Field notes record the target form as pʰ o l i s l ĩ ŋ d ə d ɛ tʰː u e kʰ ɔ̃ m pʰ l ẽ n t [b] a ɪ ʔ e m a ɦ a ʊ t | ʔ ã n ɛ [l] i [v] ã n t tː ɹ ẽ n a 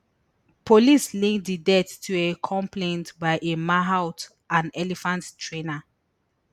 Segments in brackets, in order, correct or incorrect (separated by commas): correct, correct, incorrect